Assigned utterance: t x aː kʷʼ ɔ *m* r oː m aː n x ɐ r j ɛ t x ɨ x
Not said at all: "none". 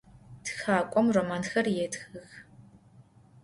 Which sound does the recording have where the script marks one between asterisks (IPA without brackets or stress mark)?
m